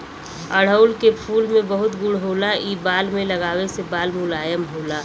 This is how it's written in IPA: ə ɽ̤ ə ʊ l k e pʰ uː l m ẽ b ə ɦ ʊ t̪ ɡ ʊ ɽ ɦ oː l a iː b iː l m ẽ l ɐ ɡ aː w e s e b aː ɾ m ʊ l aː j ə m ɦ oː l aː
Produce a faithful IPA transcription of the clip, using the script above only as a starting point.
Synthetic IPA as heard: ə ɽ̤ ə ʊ l k e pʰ uː l m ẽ b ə ɦ ʊ t̪ ɡ ʊ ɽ ɦ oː l a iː b aː l m ẽ l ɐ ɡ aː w e s e b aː l m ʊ l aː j ə m ɦ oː l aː